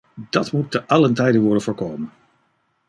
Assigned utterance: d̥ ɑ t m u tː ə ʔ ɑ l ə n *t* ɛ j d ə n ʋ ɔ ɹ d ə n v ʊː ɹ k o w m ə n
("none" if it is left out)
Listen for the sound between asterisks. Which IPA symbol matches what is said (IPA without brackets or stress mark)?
t